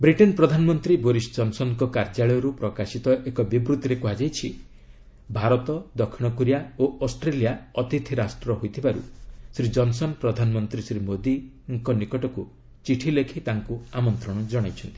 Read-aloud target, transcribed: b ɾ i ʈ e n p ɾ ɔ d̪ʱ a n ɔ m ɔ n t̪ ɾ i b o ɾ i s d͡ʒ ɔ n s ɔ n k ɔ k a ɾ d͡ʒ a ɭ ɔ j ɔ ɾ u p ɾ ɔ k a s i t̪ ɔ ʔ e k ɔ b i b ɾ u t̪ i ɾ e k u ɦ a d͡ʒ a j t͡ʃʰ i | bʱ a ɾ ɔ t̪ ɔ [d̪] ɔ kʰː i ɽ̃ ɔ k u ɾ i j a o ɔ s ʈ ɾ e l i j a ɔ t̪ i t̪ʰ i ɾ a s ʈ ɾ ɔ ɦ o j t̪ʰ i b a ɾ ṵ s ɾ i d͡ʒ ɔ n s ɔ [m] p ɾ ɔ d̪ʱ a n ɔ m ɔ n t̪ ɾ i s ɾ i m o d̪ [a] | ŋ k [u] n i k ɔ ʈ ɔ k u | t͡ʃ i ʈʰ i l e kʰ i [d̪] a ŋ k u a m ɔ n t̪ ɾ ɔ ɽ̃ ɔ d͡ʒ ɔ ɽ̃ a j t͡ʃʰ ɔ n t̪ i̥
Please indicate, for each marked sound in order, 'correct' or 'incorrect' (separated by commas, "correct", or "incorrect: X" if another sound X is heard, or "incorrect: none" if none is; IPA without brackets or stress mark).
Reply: correct, incorrect: n, incorrect: i, incorrect: ɔ, incorrect: t̪